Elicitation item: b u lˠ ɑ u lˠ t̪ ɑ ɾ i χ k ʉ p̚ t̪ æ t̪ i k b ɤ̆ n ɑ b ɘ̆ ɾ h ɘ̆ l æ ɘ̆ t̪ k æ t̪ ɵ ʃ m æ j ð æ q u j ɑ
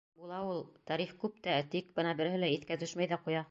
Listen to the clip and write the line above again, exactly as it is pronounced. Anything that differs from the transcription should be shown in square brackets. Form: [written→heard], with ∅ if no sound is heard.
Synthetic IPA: b u lˠ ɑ u lˠ t̪ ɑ ɾ i χ k ʉ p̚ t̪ æ t̪ i k b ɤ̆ n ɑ b ɘ̆ ɾ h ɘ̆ l æ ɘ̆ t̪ k æ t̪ ɵ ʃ m æ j ð æ q u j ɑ